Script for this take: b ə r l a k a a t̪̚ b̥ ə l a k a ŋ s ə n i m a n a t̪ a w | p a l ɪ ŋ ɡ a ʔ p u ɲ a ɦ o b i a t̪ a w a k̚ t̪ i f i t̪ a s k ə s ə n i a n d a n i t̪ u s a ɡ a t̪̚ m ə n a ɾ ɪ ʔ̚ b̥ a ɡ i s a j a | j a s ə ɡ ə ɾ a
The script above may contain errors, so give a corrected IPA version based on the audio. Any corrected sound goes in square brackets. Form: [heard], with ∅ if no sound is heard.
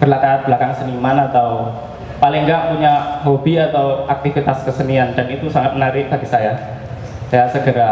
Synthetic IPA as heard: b ə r l a k a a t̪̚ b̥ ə l a k a ŋ s ə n i m a n a t̪ a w | p a l ɪ ŋ ɡ a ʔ p u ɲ a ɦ o b i a t̪ a w a k̚ t̪ i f i t̪ a s k ə s ə n i a n d a n i t̪ u s a [ŋ] a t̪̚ m ə n a ɾ ɪ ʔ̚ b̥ a ɡ i s a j a | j a s ə ɡ ə ɾ a